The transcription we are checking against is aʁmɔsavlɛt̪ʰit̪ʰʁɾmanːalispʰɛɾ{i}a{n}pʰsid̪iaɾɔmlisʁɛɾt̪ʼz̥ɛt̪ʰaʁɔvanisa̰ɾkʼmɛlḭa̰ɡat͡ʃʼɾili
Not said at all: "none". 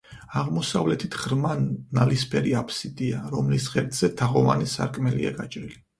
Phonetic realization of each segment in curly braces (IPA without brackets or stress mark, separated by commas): i, none